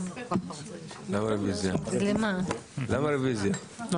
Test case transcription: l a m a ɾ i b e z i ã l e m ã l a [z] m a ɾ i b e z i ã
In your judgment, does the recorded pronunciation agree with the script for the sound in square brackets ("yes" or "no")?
no